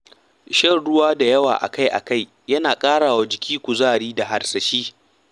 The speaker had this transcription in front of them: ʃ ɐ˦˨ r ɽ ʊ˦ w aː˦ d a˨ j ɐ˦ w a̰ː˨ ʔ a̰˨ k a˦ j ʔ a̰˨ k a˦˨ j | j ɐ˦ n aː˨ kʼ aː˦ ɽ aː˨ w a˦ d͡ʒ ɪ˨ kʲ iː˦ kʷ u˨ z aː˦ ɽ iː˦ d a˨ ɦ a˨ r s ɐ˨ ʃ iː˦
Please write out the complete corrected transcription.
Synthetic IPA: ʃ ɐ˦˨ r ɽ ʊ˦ w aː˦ d a˨ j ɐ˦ w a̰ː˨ ʔ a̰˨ k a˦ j ʔ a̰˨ k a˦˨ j | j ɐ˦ n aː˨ kʼ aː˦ ɽ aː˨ w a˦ d͡ʒ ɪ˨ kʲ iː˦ kʷ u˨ z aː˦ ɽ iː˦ d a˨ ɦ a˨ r s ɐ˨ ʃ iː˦